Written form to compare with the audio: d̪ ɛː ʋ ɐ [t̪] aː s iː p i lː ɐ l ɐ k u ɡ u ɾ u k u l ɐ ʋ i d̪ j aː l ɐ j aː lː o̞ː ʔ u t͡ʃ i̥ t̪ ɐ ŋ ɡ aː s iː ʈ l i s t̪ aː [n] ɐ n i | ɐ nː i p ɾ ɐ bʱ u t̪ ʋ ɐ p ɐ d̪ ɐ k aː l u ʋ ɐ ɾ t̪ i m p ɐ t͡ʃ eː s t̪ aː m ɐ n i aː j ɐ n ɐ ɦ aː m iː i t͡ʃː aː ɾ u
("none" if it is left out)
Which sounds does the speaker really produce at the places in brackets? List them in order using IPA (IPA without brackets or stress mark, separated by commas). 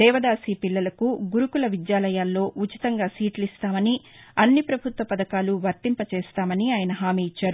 d̪, m